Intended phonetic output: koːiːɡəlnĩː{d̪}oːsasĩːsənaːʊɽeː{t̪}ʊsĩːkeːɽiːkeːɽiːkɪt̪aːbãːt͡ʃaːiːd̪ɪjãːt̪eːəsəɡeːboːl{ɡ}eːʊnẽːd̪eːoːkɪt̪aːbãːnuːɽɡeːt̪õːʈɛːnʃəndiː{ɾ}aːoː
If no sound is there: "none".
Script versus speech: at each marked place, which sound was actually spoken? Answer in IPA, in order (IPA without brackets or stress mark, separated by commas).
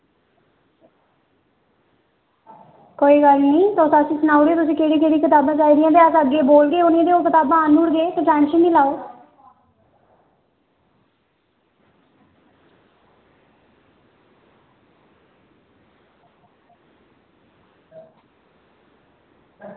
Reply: t̪, t̪, ɡ, l